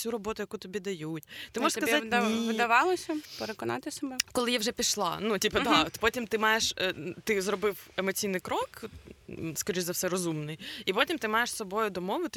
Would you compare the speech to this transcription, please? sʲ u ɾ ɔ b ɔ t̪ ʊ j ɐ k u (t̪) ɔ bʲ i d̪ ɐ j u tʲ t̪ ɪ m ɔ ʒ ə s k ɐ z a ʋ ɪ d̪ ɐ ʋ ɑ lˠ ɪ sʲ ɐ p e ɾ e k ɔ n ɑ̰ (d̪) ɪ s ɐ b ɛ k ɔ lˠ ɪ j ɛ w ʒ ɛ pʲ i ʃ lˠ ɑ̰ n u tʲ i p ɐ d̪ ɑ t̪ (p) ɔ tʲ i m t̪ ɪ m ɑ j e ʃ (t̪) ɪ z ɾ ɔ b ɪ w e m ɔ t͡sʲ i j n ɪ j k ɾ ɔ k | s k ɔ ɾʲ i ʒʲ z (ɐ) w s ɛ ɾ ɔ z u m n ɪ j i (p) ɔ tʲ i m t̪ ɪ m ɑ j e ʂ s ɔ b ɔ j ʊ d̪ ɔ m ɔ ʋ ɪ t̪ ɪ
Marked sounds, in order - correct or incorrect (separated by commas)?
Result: correct, incorrect, correct, correct, correct, correct